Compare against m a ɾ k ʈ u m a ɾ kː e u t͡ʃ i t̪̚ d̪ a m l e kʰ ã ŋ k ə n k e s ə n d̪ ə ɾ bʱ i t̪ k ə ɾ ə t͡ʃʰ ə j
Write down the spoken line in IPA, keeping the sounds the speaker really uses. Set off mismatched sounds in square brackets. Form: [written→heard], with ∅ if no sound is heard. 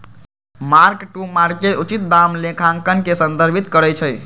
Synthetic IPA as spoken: m a ɾ k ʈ u m a ɾ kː e u t͡ʃ i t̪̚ d̪ a m l e kʰ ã ŋ k ə n k e s ə n d̪ ə ɾ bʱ i t̪ k ə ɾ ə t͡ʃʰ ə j